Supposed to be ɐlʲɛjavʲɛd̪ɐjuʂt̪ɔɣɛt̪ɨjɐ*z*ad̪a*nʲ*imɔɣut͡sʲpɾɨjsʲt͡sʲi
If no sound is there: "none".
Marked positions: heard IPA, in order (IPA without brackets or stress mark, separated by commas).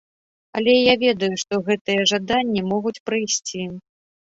ʐ, nʲː